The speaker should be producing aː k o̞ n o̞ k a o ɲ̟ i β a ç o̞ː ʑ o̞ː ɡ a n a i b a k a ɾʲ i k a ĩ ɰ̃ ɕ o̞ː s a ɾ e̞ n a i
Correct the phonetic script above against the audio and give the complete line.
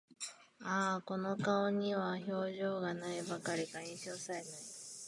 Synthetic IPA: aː k o̞ n o̞ k a o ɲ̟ i β a ç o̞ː ʑ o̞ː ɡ a n a i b a k a ɾʲ i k a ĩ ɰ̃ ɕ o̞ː s a ɾ e̞ n a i